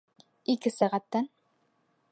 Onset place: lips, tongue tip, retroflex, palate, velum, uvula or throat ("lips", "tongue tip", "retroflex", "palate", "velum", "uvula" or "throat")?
velum